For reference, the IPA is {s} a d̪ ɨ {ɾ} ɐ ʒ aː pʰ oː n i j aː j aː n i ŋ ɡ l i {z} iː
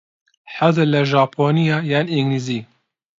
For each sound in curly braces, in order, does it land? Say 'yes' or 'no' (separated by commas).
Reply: no, no, yes